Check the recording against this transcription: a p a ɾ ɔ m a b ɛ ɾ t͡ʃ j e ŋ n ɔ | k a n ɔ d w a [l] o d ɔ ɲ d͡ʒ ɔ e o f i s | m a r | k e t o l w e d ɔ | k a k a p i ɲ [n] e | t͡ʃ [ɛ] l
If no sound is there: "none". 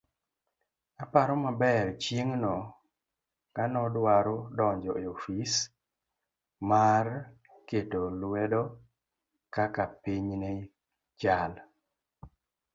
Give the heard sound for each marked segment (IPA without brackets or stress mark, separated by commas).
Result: ɾ, n, a